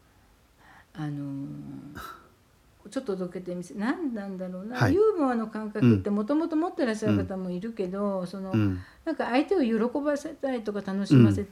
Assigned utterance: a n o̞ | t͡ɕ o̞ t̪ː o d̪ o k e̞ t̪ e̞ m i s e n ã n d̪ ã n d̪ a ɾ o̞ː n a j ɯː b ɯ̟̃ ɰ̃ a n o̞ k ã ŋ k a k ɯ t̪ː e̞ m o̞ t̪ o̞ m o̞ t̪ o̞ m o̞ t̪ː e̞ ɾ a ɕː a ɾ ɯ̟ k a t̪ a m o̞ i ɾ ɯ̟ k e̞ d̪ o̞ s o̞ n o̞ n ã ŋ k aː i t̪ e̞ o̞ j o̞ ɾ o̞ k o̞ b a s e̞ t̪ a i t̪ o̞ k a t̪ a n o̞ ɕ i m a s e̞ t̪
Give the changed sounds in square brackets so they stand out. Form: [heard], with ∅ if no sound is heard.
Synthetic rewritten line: a n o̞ | t͡ɕ o̞ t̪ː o d̪ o k e̞ t̪ e̞ m i s e n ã n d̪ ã n d̪ a ɾ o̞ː n a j ɯː b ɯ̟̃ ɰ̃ a n o̞ k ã ŋ k a k ɯ t̪ː e̞ m o̞ t̪ o̞ m o̞ t̪ o̞ m o̞ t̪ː e̞ ɾ a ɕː a ɾ ɯ̟ k a t̪ a m o̞ i ɾ ɯ̟ k e̞ d̪ o̞ s o̞ n o̞ n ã ŋ k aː i t̪ e̞ o̞ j o̞ ɾ o̞ k o̞ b a s e̞ t̪ a i t̪ o̞ k a t̪ a n o̞ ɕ i m a s e̞ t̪